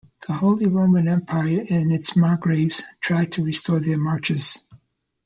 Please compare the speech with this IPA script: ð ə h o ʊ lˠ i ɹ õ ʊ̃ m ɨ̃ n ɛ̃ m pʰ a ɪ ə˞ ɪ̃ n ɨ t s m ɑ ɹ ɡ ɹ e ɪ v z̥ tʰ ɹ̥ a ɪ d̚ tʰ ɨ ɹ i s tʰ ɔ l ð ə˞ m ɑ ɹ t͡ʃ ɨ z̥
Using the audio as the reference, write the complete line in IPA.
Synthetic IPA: ð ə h o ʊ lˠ i ɹ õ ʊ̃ m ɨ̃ n ɛ̃ m pʰ a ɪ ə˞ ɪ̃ n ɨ t s m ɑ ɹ ɡ ɹ e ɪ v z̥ tʰ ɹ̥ a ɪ d̚ tʰ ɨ ɹ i s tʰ ɔ ɹ ð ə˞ m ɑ ɹ t͡ʃ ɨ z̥